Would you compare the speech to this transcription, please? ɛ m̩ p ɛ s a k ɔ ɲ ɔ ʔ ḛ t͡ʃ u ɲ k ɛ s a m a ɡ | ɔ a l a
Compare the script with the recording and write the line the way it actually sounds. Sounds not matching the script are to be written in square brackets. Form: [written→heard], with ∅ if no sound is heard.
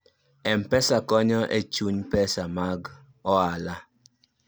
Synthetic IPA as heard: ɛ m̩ p ɛ s a k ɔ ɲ ɔ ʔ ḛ t͡ʃ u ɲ [k→p] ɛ s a m a ɡ | ɔ a l a